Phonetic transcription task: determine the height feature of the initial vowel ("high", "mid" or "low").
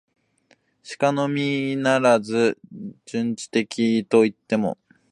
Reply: high